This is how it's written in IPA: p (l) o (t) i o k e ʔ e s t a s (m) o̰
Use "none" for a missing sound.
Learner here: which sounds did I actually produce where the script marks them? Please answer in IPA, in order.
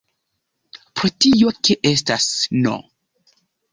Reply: ɾ, t, n

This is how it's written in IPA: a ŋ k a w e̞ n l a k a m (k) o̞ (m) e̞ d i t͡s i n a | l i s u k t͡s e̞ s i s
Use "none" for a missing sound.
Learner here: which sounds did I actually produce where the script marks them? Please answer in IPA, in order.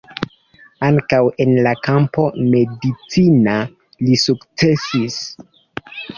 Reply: p, m

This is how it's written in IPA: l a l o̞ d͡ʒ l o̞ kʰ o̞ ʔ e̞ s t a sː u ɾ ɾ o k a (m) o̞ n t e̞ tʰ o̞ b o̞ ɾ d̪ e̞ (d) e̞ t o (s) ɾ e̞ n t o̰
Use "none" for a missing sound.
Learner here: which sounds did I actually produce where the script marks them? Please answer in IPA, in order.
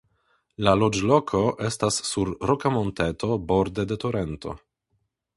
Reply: m, d, none

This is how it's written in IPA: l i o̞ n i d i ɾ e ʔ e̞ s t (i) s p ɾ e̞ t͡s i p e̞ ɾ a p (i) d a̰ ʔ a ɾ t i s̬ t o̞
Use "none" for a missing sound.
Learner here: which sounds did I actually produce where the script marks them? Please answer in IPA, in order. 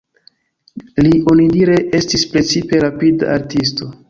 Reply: i, i

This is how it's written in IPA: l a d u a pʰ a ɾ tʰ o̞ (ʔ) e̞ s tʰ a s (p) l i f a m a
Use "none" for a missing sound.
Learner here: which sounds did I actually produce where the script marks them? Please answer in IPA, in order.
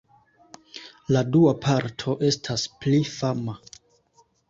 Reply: ʔ, p

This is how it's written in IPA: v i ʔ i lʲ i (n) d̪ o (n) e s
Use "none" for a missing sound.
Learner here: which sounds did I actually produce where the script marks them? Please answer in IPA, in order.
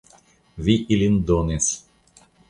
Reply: n, n

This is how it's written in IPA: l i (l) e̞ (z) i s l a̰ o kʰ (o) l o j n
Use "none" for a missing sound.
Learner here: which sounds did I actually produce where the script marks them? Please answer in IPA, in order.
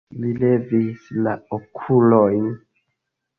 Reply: l, v, u

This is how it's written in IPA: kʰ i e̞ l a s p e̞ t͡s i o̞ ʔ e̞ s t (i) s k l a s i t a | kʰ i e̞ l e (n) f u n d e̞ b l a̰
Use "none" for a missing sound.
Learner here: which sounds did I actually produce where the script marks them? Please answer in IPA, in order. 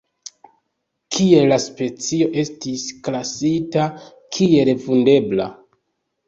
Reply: i, none

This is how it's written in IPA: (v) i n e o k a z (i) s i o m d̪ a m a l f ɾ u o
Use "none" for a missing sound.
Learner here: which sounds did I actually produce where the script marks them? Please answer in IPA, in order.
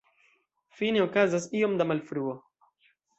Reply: f, a

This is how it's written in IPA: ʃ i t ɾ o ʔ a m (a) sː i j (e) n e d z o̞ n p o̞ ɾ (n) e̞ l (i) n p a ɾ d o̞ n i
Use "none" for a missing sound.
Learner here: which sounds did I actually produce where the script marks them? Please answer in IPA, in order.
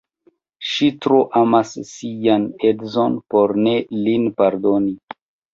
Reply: a, a, n, i

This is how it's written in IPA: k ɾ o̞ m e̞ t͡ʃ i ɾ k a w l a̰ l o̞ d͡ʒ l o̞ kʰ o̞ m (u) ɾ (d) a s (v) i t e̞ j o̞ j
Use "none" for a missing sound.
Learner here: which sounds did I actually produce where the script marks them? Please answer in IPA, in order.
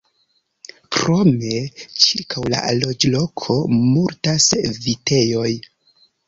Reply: u, t, v

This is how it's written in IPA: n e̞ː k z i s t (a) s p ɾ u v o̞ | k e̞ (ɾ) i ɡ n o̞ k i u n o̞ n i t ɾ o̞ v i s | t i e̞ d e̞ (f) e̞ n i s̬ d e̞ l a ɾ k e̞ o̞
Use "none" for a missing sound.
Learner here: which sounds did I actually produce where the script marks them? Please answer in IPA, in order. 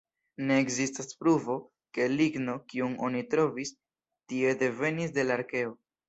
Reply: a, l, v

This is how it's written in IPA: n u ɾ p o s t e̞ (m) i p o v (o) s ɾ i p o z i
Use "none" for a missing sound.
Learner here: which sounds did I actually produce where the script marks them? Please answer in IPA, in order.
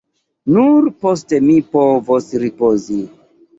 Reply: m, o

